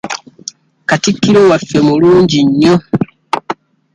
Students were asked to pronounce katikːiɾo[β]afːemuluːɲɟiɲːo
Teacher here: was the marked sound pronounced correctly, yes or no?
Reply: no